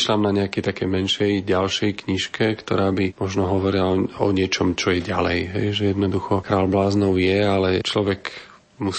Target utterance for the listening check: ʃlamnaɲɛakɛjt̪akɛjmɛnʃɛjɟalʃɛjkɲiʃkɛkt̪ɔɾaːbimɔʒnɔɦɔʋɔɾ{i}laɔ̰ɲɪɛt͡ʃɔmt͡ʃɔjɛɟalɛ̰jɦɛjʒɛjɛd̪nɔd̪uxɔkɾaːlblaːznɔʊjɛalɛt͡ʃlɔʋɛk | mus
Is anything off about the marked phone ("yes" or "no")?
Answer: no